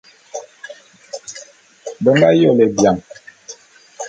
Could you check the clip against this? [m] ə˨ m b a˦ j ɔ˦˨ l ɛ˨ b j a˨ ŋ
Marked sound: incorrect: b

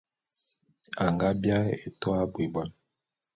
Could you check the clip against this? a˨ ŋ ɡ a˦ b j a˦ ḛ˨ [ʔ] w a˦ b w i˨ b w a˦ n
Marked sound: incorrect: t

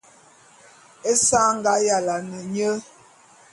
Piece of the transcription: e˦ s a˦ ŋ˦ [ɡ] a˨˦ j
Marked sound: correct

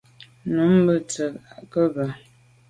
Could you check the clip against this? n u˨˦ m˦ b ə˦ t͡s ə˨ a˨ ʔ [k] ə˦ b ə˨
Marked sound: correct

